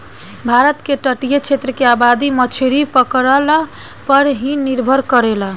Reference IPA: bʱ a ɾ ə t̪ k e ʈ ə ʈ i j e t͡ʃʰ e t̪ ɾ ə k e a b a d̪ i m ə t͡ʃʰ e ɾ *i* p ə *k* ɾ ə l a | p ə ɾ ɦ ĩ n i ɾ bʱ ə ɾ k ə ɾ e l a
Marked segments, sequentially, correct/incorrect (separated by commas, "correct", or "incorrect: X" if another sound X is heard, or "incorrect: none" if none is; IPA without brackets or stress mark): correct, correct